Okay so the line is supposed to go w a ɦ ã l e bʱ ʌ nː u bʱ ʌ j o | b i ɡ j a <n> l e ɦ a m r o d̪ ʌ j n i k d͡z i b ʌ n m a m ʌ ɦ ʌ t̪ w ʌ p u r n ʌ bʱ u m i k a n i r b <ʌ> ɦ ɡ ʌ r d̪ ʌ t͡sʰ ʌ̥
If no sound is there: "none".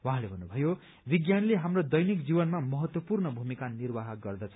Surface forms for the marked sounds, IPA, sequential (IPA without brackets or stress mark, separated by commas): n, a